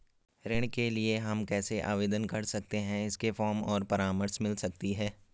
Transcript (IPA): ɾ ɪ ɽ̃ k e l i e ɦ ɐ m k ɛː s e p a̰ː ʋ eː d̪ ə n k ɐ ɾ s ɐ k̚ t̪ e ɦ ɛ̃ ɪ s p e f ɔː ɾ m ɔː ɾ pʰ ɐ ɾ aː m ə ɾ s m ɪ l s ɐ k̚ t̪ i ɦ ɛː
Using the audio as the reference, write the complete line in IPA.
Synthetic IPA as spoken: ɾ ɪ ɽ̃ k e l i e ɦ ɐ m k ɛː s e ʔ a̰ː ʋ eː d̪ ə n k ɐ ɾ s ɐ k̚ t̪ e ɦ ɛ̃ ɪ s k e f ɔː ɾ m ɔː ɾ p ɐ ɾ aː m ə ɾ s m ɪ l s ɐ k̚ t̪ i ɦ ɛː